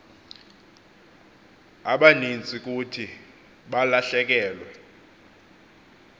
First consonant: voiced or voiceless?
voiced